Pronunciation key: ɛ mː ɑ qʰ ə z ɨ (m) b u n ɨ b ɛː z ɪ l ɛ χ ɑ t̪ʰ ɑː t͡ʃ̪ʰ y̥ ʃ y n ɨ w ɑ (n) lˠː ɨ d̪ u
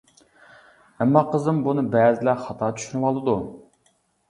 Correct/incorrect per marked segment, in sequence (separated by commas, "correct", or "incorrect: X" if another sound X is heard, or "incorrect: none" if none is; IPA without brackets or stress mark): correct, incorrect: none